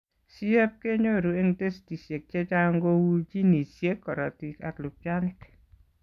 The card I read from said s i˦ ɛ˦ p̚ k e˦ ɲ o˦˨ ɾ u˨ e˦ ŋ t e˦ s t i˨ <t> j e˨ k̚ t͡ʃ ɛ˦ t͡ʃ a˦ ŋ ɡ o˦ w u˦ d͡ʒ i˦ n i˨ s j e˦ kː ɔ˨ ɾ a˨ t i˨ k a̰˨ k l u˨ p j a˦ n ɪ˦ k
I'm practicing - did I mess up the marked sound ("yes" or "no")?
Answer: yes